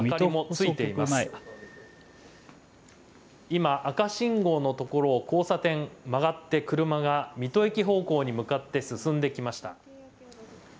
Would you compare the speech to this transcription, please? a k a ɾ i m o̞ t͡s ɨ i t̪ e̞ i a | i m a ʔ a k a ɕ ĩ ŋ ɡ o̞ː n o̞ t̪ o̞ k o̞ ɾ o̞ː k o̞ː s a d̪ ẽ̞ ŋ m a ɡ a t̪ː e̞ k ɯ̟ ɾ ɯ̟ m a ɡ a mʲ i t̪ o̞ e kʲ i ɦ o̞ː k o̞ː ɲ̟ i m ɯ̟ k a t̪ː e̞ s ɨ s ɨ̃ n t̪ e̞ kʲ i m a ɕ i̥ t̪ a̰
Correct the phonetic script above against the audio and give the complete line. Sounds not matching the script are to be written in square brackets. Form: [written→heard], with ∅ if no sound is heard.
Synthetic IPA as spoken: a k a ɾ i m o̞ t͡s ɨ i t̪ e̞ i a | i m a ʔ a k a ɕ ĩ ŋ ɡ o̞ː n o̞ t̪ o̞ k o̞ ɾ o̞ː k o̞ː s a [d̪→t̪] ẽ̞ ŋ m a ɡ a t̪ː e̞ k ɯ̟ ɾ ɯ̟ m a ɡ a mʲ i t̪ o̞ e kʲ i ɦ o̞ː k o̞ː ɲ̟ i m ɯ̟ k a t̪ː e̞ s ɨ s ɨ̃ n [t̪→d̪] e̞ kʲ i m a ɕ i̥ t̪ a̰